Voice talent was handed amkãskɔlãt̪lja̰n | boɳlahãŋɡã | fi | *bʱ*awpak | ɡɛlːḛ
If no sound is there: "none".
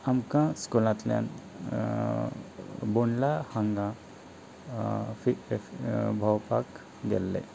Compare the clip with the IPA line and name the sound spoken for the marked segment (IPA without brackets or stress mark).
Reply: bʱ